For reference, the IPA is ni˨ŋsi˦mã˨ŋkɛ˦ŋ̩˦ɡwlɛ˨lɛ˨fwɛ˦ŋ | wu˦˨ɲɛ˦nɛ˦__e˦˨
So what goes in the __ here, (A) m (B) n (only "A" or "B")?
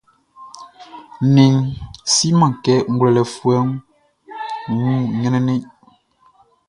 B